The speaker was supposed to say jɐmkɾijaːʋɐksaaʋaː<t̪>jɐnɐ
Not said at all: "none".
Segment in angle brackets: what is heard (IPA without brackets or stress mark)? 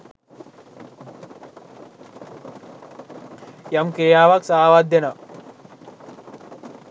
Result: d̪